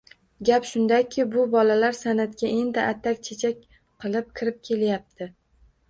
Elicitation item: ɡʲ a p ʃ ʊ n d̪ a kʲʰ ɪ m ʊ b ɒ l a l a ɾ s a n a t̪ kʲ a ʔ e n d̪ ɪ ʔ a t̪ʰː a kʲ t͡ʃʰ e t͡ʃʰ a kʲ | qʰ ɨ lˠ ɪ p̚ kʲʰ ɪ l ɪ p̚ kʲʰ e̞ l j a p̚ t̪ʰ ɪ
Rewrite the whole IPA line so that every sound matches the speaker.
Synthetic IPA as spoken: ɡʲ a p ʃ ʊ n d̪ a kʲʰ ɪ b ʊ b ɒ l a l a ɾ s a n a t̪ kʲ a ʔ e n d̪ ɪ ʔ a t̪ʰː a kʲ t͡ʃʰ e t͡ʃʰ a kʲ | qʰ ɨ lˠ ɪ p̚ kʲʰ ɪ ɾ ɪ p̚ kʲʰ e̞ l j a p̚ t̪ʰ ɪ